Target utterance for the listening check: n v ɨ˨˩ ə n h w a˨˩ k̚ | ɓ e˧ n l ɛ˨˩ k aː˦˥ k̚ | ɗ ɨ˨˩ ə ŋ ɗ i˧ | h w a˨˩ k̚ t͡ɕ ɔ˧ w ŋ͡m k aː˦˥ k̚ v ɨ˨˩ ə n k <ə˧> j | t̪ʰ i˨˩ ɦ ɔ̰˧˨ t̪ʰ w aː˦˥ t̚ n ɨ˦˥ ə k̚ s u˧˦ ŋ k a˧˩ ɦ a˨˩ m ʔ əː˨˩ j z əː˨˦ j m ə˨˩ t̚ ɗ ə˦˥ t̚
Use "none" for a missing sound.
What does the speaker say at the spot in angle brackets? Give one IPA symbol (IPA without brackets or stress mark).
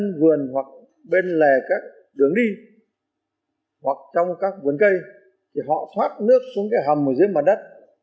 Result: ə˧